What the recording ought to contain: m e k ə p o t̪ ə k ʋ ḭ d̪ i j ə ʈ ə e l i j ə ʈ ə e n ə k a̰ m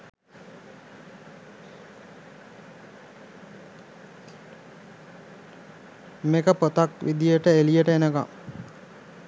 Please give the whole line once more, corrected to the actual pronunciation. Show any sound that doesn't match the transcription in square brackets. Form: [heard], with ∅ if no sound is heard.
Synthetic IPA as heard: m e k ə p o t̪ [a] k ʋ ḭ d̪ i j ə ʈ ə e l i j ə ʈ ə e n ə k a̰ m